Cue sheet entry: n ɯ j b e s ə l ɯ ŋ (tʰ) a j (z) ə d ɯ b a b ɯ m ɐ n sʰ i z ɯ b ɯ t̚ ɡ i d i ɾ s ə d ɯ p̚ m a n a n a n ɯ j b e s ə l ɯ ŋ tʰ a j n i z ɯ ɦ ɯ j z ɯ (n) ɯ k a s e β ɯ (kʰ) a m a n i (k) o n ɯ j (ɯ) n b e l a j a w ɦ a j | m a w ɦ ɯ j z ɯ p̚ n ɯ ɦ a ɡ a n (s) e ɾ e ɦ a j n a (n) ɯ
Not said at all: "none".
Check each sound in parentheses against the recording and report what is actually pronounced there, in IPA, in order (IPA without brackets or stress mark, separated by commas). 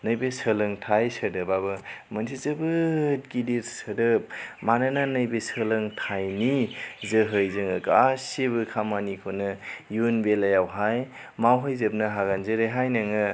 tʰ, s, ŋ, kʰ, kʰ, u, z, ŋ